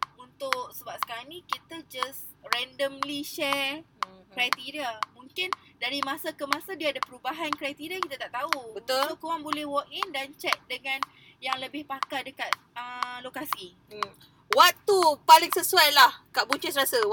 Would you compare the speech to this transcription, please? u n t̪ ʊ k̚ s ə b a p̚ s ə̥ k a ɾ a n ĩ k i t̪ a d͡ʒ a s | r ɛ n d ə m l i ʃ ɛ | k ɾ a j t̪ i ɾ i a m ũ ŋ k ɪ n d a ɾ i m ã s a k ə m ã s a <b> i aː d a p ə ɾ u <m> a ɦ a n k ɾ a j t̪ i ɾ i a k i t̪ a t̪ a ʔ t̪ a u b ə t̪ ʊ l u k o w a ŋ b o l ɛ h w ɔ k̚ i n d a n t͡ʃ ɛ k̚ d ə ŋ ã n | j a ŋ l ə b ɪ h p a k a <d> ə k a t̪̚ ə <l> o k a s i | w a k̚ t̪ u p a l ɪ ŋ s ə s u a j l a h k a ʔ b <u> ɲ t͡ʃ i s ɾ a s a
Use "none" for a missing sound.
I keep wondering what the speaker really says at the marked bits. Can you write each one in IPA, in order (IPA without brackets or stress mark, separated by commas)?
d, b, d, l, u